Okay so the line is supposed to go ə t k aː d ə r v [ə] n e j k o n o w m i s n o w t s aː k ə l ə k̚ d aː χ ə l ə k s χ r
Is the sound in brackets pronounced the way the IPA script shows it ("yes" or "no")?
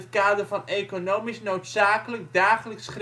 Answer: no